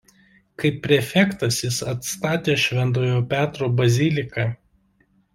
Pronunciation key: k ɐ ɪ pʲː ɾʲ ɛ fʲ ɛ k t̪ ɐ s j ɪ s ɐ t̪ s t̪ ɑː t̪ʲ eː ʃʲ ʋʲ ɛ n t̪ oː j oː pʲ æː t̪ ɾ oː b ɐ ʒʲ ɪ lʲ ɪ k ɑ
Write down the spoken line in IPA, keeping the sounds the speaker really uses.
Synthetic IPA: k ɐ ɪ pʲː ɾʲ ɛ fʲ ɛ k t̪ ɐ s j ɪ s ɐ t̪ s t̪ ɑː t̪ʲ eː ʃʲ ʋʲ ɛ n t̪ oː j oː pʲ æː t̪ ɾ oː b ɐ zʲ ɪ lʲ ɪ k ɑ

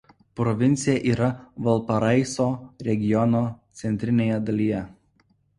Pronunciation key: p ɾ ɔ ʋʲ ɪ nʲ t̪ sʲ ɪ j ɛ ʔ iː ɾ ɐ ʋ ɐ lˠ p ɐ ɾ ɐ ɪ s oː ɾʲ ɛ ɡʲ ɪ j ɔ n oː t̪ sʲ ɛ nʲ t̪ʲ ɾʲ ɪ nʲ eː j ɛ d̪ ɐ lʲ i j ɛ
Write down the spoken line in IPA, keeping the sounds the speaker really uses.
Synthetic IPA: p ɾ ɔ ʋʲ ɪ nʲ t̪ sʲ ɪ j ɛ ʔ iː ɾ ɐ ʋ ɐ lˠ p ɐ ɾ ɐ ɪ s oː ɾʲ ɛ ɡʲ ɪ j ɔ n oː t̪ sʲ ɛ nʲ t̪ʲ ɾʲ ɪ nʲ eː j ɛ d̪ ɐ lʲ i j ɛ

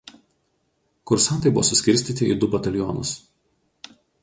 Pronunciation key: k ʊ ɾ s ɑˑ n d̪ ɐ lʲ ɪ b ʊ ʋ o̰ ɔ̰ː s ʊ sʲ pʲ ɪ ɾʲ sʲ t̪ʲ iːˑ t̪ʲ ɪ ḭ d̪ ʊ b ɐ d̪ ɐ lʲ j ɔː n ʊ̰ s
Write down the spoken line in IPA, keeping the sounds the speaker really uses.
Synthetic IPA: k ʊ ɾ s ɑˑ n t̪ ɐ ɪ b ʊ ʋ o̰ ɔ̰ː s ʊ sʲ kʲ ɪ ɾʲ sʲ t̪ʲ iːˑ t̪ʲ ɪ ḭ d̪ ʊ b ɐ t̪ ɐ lʲ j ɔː n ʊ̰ s

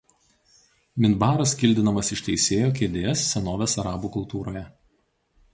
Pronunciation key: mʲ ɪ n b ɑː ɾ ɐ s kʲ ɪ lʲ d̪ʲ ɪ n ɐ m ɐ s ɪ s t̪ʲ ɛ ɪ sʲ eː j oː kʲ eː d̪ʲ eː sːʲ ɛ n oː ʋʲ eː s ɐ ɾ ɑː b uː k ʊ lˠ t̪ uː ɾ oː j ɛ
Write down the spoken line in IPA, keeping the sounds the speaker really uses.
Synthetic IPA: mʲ ɪ n b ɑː ɾ ɐ s kʲ ɪ lʲ d̪ʲ ɪ n ɐ m ɐ s ɪ ʃ t̪ʲ ɛ ɪ sʲ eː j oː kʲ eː d̪ʲ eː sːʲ ɛ n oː ʋʲ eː s ɐ ɾ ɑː b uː k ʊ lˠ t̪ uː ɾ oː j ɛ

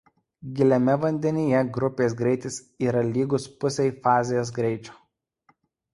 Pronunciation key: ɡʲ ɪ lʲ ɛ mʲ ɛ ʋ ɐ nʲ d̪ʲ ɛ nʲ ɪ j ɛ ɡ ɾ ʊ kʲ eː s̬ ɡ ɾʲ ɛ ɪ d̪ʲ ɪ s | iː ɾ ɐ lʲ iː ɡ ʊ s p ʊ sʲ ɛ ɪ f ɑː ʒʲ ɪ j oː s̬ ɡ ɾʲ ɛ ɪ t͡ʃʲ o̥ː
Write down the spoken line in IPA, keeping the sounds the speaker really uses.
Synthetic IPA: ɡʲ ɪ lʲ ɛ mʲ ɛ ʋ ɐ nʲ d̪ʲ ɛ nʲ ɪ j ɛ ɡ ɾ ʊ pʲ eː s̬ ɡ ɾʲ ɛ ɪ t̪ʲ ɪ s | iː ɾ ɐ lʲ iː ɡ ʊ s p ʊ sʲ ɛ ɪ f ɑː zʲ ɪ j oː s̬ ɡ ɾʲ ɛ ɪ t͡ʃʲ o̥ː

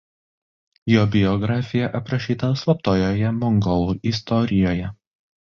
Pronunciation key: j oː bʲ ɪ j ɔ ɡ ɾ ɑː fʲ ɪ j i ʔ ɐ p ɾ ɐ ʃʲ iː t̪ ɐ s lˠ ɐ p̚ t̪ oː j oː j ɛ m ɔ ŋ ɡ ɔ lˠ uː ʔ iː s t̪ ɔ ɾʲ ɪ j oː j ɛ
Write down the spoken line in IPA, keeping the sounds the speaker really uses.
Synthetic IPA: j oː bʲ ɪ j ɔ ɡ ɾ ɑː fʲ ɪ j ɛ ʔ ɐ p ɾ ɐ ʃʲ iː t̪ ɐ s lˠ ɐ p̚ t̪ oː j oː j ɛ m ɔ ŋ ɡ ɔ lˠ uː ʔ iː s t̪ ɔ ɾʲ ɪ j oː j ɛ

